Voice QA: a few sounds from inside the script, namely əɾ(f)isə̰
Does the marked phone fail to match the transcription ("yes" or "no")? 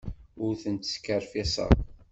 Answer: no